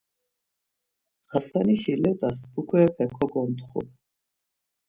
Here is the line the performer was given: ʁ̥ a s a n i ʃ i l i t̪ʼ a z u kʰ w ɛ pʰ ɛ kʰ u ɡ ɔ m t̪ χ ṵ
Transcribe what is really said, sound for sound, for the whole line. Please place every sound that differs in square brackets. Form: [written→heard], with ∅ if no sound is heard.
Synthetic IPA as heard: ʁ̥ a s a n i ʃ i l [i→ɛ] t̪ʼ a [z→s] u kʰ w ɛ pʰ ɛ kʰ [u→ɔ] ɡ ɔ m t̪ χ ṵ